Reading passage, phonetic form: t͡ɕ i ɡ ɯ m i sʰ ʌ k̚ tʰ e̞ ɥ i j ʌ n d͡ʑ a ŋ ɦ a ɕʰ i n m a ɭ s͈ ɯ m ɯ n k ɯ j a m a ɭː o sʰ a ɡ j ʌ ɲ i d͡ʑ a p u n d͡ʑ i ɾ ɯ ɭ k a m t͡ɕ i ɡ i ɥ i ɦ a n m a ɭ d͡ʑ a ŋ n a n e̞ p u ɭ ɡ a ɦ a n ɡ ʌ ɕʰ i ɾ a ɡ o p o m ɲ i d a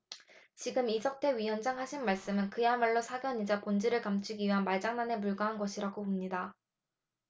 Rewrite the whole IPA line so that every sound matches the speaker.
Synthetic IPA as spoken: t͡ɕ i ɡ ɯ m i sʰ ʌ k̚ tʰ e̞ ɥ i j ʌ n d͡ʑ a ŋ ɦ a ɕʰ i n m a ɭ s͈ ɯ m ɯ n k ɯ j a m a ɭː o sʰ a ɡ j ʌ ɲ i d͡ʑ a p o n d͡ʑ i ɾ ɯ ɭ k a m t͡ɕʰ i ɡ i ɥ i ɦ a n m a ɭ d͡ʑ a ŋ n a n e̞ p u ɭ ɡ a ɦ a n ɡ ʌ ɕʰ i ɾ a ɡ o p o m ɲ i d a